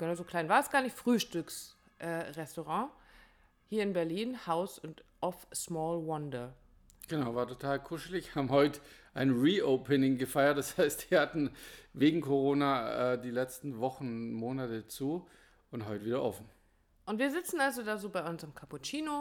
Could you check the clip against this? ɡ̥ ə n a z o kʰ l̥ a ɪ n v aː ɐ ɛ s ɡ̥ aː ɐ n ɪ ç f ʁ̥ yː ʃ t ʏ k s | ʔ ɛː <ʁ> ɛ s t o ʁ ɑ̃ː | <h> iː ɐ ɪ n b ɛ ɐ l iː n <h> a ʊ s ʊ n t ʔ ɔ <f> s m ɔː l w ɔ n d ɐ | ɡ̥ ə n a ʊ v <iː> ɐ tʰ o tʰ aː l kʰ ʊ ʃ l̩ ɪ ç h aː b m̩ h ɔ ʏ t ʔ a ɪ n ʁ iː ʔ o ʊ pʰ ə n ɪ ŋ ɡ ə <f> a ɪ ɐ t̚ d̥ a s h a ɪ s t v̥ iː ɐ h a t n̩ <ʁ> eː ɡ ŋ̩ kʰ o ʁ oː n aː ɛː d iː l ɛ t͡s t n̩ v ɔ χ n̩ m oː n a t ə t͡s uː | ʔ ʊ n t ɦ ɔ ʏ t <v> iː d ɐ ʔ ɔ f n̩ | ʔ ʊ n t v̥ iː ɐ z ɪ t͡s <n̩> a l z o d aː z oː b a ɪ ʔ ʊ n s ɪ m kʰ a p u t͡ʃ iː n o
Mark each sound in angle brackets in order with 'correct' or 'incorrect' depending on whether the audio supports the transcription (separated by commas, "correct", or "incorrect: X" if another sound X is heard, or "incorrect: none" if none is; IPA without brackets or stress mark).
correct, correct, correct, correct, incorrect: aː, correct, incorrect: v, correct, correct